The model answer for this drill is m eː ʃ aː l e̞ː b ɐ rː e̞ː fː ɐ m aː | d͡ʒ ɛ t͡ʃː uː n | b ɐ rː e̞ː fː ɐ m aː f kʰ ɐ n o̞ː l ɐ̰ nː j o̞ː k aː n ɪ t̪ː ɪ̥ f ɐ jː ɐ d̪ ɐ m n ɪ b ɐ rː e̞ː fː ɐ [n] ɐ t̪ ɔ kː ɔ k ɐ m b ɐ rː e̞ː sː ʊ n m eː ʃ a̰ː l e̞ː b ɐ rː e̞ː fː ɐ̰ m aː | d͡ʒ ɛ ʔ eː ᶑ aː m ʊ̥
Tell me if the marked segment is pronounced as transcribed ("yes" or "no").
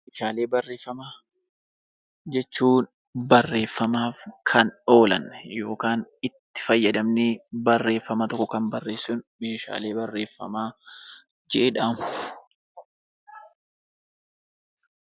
no